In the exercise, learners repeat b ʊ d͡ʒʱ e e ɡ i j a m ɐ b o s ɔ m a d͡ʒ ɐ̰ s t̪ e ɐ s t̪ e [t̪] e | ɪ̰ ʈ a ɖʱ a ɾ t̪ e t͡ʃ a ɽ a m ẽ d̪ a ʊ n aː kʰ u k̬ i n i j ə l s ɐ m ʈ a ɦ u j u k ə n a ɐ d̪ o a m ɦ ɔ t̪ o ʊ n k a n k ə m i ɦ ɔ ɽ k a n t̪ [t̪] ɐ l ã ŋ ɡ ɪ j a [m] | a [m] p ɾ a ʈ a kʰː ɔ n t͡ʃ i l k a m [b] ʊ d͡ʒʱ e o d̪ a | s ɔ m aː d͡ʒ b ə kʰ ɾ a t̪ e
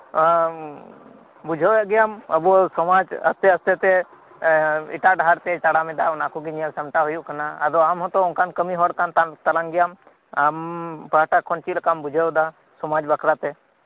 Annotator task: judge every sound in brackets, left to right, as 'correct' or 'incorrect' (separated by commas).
correct, correct, correct, correct, correct